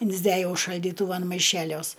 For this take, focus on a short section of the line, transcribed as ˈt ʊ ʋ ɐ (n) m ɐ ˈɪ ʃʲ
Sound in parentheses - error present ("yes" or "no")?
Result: no